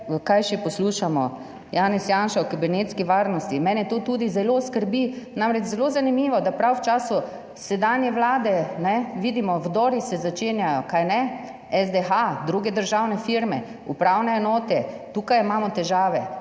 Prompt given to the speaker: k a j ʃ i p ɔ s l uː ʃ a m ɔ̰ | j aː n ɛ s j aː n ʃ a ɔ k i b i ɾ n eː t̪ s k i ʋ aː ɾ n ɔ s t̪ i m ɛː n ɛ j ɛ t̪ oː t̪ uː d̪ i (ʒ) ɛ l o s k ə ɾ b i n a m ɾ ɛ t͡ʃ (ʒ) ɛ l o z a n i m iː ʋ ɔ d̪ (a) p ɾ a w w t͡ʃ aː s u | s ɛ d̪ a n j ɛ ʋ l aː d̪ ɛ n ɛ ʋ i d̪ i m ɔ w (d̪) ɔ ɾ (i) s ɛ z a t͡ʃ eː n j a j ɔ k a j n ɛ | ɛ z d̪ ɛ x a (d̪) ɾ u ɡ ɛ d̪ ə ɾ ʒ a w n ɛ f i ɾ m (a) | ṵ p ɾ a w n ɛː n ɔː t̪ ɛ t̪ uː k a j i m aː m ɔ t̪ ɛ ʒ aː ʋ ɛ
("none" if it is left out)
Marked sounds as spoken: z, z, a, d̪, i, d̪, ɛ

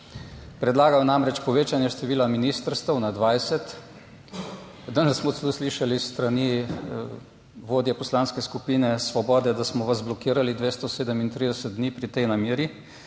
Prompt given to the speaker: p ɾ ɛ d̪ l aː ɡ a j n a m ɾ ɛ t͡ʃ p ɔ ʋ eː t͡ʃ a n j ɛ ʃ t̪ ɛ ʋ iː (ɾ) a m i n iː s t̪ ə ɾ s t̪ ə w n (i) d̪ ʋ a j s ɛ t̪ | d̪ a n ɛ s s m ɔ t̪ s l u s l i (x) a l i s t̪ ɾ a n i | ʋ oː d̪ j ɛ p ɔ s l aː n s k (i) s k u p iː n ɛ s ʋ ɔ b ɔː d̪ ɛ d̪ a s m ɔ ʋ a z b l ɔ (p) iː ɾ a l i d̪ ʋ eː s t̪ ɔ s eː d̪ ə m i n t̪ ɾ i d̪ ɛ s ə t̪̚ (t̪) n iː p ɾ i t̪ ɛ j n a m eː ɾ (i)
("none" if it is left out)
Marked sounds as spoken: l, a, ʃ, ɛ, k, d̪, i

